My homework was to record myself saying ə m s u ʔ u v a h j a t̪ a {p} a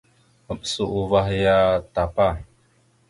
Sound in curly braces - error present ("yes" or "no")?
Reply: no